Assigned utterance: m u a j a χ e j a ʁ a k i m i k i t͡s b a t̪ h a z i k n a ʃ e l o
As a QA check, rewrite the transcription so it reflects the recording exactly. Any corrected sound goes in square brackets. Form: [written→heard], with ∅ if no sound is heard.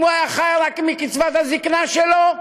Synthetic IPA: m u a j a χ [e→a] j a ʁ a k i m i k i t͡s [b→v] a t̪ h a z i k n a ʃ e l o